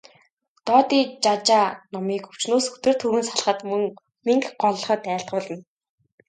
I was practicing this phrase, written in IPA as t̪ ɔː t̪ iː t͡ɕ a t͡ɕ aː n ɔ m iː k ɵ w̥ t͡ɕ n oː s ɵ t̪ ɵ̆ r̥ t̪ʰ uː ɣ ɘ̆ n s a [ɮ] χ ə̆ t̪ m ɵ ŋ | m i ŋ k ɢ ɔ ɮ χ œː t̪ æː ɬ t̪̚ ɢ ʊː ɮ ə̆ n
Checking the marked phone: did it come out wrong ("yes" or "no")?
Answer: no